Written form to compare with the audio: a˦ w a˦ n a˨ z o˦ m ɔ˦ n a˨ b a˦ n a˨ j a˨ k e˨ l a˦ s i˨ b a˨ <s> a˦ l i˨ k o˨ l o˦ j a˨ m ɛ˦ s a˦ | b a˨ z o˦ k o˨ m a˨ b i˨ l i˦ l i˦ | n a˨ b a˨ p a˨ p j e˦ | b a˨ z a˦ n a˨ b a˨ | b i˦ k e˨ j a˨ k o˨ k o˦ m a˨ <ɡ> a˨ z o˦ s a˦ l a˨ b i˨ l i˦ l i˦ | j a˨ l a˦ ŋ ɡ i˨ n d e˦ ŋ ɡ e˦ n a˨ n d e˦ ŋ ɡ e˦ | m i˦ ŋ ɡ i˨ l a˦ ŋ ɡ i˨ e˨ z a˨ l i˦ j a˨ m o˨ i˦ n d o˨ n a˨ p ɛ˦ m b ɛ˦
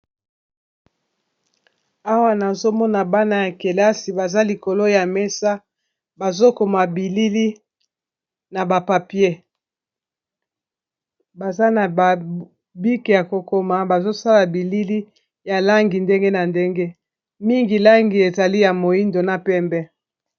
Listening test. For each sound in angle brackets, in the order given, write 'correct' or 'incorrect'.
incorrect: z, incorrect: b

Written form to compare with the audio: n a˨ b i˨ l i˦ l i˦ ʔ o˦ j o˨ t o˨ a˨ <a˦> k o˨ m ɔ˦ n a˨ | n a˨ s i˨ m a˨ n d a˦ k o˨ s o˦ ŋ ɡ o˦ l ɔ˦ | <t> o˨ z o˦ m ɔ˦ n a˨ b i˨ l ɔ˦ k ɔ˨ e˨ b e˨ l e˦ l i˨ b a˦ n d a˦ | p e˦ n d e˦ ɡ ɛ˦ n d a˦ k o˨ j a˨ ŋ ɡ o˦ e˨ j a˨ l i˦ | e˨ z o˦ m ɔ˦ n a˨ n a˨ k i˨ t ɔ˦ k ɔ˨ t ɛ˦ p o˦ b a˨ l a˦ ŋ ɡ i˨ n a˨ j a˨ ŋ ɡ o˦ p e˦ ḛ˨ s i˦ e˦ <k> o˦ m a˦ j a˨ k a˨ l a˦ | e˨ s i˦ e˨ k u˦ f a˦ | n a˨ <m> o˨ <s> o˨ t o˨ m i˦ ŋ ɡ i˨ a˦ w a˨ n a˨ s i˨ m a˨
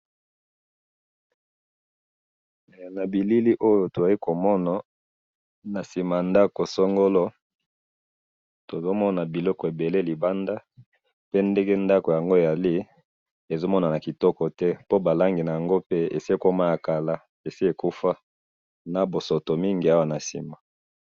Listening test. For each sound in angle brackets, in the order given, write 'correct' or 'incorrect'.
incorrect: i˦, correct, correct, incorrect: b, correct

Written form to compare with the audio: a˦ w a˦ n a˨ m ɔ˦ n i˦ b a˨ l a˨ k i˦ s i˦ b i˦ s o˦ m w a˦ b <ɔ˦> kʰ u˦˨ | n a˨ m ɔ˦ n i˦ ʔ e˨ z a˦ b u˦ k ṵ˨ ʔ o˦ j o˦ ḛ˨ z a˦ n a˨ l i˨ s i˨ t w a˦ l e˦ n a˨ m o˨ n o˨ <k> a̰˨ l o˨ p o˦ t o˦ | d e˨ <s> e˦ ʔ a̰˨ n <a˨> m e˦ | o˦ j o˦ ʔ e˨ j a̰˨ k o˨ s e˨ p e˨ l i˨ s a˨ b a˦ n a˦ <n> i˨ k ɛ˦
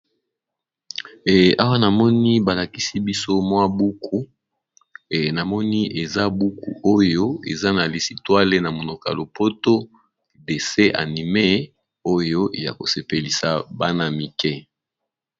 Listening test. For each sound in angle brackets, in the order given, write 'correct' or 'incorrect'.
incorrect: u˦, correct, correct, incorrect: i˨, incorrect: m

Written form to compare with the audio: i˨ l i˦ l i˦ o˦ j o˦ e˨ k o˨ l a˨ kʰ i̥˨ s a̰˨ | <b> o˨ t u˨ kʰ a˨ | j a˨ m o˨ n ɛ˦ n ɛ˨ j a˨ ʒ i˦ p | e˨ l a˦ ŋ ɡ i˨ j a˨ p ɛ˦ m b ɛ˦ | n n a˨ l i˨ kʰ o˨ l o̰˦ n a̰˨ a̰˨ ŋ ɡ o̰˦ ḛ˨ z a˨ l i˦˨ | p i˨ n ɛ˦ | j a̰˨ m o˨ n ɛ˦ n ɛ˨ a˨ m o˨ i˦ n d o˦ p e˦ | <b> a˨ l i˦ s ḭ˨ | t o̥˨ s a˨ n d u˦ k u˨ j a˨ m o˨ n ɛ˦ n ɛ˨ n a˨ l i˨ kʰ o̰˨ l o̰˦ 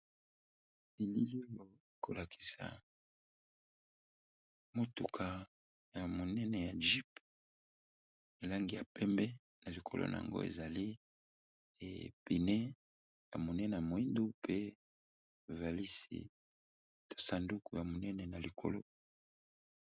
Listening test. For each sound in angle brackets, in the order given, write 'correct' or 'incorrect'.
incorrect: m, incorrect: v

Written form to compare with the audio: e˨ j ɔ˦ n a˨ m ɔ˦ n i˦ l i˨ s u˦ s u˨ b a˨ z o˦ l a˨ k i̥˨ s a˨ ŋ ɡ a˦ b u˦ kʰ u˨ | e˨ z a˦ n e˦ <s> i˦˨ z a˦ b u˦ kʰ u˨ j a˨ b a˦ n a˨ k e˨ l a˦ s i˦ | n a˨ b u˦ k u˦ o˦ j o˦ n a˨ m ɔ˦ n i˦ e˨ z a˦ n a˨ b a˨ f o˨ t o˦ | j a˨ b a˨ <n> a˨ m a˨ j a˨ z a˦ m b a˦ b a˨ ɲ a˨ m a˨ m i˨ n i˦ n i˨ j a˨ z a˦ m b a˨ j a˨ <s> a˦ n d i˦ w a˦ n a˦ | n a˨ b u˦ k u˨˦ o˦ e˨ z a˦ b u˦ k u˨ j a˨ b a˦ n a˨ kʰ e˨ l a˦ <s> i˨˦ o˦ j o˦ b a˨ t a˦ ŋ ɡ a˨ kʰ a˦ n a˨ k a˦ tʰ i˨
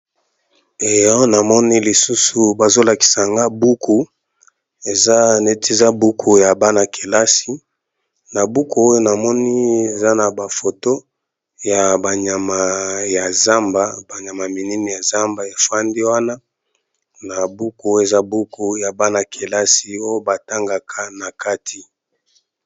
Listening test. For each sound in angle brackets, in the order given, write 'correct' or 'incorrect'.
incorrect: t, incorrect: ɲ, incorrect: f, correct

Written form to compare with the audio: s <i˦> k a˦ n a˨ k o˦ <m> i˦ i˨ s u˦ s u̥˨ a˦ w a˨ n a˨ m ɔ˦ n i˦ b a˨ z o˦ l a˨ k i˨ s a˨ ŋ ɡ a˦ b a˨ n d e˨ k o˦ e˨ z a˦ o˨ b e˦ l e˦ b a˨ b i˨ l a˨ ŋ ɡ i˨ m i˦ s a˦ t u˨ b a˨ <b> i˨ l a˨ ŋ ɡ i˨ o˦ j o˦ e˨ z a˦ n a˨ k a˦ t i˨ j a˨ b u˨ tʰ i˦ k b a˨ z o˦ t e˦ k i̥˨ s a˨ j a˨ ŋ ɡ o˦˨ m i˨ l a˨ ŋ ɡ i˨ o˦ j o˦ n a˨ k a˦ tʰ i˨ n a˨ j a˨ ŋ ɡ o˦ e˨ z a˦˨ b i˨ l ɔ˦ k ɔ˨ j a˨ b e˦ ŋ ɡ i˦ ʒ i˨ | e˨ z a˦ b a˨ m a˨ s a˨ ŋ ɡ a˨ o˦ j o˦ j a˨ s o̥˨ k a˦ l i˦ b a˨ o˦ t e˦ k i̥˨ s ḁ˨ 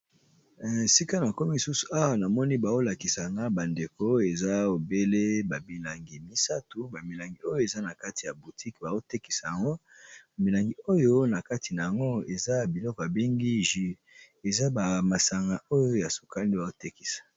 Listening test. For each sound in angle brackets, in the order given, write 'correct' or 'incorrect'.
correct, correct, incorrect: m

